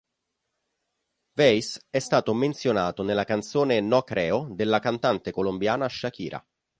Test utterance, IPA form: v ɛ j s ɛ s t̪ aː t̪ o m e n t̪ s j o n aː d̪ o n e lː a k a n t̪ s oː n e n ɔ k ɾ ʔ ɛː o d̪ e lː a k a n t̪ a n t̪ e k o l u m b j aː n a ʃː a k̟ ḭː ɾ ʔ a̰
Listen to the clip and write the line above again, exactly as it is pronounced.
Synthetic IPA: v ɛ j s ɛ s t̪ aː t̪ o m e n t̪ s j o n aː t̪ o n e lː a k a n t̪ s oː n e n ɔ k ɾ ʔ ɛː o d̪ e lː a k a n t̪ a n t̪ e k o l o m b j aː n a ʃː a k̟ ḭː ɾ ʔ a̰